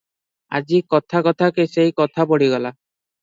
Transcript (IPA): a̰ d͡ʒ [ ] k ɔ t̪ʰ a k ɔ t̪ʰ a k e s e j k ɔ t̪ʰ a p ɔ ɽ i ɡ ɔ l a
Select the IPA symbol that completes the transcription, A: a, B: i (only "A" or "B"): B